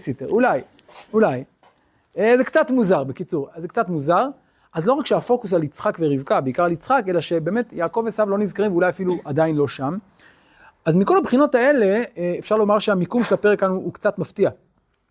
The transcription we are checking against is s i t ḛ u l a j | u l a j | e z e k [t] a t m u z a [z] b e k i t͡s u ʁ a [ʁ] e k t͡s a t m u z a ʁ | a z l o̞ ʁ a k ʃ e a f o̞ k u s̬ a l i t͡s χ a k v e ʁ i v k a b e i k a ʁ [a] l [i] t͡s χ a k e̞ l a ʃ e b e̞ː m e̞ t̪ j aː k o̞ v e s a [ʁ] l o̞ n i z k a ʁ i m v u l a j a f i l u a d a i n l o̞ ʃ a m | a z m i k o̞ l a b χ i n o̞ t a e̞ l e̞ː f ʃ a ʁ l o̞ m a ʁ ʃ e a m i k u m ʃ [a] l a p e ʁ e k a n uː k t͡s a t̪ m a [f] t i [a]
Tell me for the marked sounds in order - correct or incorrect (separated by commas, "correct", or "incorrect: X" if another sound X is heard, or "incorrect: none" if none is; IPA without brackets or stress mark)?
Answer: incorrect: t͡s, incorrect: ʁ, incorrect: z, correct, correct, incorrect: v, incorrect: e, correct, correct